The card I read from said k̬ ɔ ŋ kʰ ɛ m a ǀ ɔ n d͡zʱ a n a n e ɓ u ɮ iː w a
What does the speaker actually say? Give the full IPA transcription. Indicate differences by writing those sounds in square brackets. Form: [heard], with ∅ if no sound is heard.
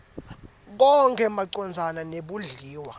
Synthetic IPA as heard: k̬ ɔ ŋ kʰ ɛ m a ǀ ɔ n d͡zʱ a n a n e ɓ u ɮ iː w a